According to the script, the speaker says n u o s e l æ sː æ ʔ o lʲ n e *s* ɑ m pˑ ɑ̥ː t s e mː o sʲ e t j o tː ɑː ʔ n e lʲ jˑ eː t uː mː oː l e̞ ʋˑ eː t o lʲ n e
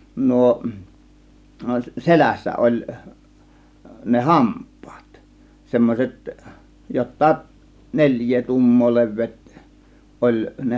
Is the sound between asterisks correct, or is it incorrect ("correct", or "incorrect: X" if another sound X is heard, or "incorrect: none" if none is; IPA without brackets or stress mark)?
incorrect: h